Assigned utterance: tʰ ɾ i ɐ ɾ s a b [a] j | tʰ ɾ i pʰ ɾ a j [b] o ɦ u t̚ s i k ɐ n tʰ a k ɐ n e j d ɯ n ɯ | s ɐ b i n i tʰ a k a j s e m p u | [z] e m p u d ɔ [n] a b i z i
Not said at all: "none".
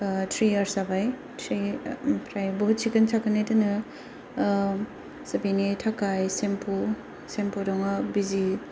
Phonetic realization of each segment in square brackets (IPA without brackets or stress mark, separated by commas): a, b, s, ŋ